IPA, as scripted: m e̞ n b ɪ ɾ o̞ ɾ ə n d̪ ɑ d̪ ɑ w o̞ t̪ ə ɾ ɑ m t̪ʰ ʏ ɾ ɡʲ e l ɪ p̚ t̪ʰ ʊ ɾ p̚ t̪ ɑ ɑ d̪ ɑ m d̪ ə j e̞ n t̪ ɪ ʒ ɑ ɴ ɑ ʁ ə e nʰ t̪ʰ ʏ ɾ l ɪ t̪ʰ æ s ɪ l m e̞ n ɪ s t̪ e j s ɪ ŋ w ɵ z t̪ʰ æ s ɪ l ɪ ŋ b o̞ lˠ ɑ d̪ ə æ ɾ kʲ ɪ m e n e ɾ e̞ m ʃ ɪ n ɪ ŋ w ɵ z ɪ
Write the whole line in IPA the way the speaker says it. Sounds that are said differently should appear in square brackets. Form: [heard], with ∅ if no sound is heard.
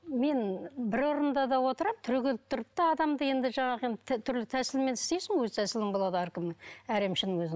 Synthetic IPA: m e̞ n b ɪ ɾ o̞ ɾ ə n d̪ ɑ d̪ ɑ w o̞ t̪ ə ɾ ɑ m t̪ʰ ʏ ɾ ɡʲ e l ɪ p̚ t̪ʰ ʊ ɾ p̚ t̪ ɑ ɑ d̪ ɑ m d̪ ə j e̞ n [d̪] ɪ ʒ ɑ ɴ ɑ ʁ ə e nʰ t̪ʰ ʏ ɾ l ɪ t̪ʰ æ s ɪ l m e̞ n ɪ s t̪ e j s ɪ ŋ w ɵ z t̪ʰ æ s ɪ l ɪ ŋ b o̞ lˠ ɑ d̪ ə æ ɾ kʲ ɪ m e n [æ] ɾ e̞ m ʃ ɪ n ɪ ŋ w ɵ z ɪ